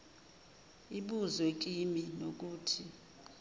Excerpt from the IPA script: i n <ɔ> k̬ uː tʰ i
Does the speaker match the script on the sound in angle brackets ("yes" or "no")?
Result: no